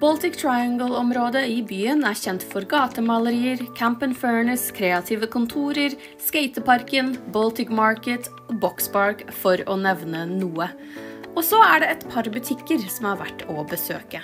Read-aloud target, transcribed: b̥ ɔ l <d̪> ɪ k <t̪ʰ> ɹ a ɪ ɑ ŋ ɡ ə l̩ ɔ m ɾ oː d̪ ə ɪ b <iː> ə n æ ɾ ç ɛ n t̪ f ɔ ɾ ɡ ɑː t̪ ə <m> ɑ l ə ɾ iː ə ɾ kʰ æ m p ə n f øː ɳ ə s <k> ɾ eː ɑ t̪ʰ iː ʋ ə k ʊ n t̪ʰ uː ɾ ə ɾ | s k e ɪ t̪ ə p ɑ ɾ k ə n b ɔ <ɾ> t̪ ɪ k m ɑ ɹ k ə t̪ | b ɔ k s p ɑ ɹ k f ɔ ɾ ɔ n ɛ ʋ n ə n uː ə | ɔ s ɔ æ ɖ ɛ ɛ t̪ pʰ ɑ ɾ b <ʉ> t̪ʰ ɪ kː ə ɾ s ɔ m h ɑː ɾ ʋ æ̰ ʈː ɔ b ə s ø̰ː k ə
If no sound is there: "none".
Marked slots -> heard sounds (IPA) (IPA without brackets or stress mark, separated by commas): t̪, t̪ʰ, yː, m, kʰ, l, ʉ